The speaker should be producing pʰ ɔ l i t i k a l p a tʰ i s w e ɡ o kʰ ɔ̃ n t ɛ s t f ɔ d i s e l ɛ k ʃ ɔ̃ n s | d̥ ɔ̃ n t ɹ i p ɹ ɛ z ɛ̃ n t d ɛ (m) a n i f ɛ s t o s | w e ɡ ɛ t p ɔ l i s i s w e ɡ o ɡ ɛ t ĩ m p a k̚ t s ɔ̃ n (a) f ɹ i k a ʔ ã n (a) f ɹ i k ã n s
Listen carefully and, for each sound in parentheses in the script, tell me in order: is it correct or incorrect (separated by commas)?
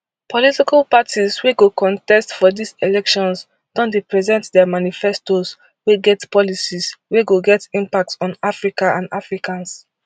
correct, correct, correct